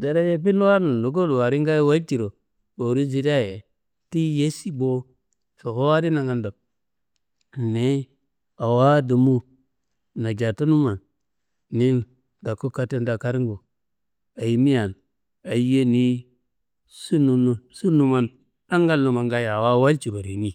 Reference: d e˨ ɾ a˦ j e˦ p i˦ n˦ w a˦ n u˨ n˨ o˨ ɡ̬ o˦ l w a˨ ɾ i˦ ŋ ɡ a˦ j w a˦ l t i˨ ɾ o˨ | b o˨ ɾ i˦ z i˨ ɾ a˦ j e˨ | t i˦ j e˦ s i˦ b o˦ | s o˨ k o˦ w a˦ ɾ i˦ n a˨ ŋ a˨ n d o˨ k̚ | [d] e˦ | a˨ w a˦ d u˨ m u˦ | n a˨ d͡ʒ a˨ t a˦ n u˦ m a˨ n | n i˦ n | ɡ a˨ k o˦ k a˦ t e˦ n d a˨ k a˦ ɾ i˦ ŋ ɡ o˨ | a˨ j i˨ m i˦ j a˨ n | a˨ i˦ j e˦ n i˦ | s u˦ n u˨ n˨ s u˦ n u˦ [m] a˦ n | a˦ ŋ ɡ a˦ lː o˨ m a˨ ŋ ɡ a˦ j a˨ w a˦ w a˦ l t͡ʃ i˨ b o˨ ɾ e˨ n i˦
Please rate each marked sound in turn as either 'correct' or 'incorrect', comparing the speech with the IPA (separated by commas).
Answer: incorrect, correct